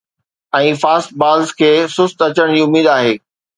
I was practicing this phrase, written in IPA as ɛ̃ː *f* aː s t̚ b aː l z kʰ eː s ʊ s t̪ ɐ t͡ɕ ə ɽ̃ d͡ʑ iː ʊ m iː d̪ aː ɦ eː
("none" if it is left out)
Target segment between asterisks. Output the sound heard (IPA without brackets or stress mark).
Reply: f